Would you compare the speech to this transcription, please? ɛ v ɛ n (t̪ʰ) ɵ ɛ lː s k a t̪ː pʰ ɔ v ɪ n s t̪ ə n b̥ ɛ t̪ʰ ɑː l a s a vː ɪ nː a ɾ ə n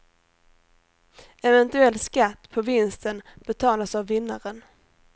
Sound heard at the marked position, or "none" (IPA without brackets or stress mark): t̪